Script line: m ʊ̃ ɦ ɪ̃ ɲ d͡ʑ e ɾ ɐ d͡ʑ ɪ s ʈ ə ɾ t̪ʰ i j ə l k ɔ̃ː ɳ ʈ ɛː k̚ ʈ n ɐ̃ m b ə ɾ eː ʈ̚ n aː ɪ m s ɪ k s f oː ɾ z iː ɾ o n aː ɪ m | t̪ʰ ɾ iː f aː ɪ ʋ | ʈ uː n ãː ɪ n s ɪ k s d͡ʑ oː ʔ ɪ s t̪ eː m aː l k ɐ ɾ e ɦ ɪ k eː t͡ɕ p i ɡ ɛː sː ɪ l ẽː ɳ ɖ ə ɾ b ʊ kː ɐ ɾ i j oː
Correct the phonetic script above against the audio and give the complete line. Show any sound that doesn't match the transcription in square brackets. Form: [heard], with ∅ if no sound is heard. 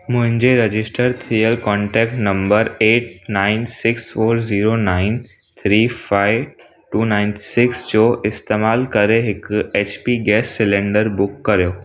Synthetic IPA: m ʊ̃ ɦ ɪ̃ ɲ d͡ʑ e ɾ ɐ d͡ʑ ɪ s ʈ ə ɾ t̪ʰ i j ə l k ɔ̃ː ɳ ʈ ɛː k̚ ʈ n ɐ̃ m b ə ɾ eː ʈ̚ n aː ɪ [n] s ɪ k s f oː ɾ z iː ɾ o n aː ɪ [n] | t̪ʰ ɾ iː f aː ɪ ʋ | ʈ uː n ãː ɪ n s ɪ k s d͡ʑ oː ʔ ɪ s t̪ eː m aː l k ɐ ɾ e ɦ ɪ k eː t͡ɕ p i ɡ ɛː sː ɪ l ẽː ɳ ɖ ə ɾ b ʊ kː ɐ ɾ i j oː

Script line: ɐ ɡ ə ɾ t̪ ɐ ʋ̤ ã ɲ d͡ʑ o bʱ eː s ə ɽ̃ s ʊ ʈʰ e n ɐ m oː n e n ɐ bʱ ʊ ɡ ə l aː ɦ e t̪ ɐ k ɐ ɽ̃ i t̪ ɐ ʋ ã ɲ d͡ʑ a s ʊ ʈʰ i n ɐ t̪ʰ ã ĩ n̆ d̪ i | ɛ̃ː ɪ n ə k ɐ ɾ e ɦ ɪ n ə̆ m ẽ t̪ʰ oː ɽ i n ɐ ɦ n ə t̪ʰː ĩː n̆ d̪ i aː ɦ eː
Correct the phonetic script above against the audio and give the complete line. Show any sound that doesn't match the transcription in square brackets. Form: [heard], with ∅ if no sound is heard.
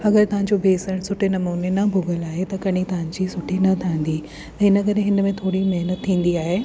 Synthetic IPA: ɐ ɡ ə ɾ t̪ ɐ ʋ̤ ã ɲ d͡ʑ o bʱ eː s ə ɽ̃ s ʊ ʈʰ e n ɐ m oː n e n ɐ bʱ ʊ ɡ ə l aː ɦ e t̪ ɐ k ɐ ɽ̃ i t̪ ɐ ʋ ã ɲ d͡ʑ [i] s ʊ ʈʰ i n ɐ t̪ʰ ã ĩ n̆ d̪ i | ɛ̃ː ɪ n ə k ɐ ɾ e ɦ ɪ n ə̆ m ẽ t̪ʰ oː ɽ i [m] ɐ ɦ n ə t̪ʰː ĩː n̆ d̪ i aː ɦ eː

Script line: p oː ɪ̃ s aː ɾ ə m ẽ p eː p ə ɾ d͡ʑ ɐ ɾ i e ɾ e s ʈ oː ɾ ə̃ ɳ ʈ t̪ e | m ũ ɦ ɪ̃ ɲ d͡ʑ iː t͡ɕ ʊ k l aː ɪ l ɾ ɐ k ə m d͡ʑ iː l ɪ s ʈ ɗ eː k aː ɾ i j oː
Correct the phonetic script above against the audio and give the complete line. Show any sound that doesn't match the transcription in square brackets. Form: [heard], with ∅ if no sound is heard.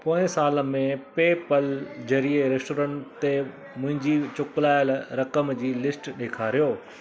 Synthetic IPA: p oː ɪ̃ s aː [l] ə m ẽ p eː p ə [l] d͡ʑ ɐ ɾ i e ɾ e s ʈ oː ɾ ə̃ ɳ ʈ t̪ e | m [ʊ̃] ɦ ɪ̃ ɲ d͡ʑ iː t͡ɕ ʊ k l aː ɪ l ɾ ɐ k ə m d͡ʑ iː l ɪ s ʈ ɗ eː [kʰ] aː ɾ i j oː

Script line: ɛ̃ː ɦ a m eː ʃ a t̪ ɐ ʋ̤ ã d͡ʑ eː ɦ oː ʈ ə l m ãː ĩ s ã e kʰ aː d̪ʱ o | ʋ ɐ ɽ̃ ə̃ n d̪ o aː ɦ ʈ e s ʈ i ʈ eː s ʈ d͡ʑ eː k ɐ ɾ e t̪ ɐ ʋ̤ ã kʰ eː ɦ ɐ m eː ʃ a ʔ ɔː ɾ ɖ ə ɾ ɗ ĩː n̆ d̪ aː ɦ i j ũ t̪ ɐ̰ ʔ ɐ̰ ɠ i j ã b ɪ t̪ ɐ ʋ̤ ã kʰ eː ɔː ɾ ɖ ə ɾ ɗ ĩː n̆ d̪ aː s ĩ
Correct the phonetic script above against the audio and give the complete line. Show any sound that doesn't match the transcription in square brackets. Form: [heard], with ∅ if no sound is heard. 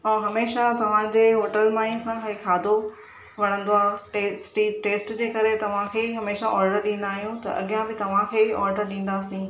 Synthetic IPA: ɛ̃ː ɦ [ɐ] m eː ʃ a t̪ ɐ ʋ̤ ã d͡ʑ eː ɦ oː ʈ ə l m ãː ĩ s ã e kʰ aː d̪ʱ o | ʋ ɐ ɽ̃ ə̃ n d̪ o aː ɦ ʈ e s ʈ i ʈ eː s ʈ d͡ʑ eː k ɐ ɾ e t̪ ɐ ʋ̤ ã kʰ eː ɦ ɐ m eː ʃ a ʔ ɔː ɾ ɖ ə ɾ ɗ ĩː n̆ d̪ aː ɦ i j ũ t̪ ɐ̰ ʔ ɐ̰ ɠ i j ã b ɪ t̪ ɐ ʋ̤ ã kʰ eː ɔː ɾ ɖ ə ɾ ɗ ĩː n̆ d̪ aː s ĩ

